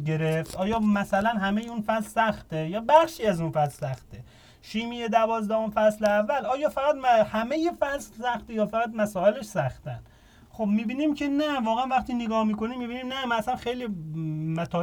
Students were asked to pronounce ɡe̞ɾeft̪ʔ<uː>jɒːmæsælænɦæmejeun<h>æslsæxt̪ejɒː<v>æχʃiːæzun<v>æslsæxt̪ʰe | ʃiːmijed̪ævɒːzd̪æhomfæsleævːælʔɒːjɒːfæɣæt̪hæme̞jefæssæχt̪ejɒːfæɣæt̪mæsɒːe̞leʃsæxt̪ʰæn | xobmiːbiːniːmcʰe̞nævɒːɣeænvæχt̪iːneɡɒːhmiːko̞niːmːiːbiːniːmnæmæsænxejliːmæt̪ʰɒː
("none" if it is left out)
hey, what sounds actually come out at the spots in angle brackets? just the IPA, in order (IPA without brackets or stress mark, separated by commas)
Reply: ɒː, f, b, f